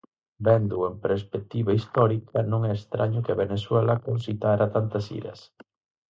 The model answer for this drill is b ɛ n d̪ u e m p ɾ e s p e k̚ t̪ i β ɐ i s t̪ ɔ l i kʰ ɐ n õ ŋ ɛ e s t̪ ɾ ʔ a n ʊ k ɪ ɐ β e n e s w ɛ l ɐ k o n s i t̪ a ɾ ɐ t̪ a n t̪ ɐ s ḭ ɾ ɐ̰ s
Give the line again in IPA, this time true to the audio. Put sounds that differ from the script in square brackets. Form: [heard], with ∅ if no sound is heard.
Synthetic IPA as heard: b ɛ n d̪ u e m p ɾ e s p e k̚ t̪ i β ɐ i s t̪ ɔ [ɾ] i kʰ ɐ n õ ŋ ɛ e s t̪ ɾ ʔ a [ɲ] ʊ k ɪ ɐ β e n e s w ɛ l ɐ k o n s i t̪ a ɾ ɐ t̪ a n t̪ ɐ s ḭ ɾ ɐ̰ s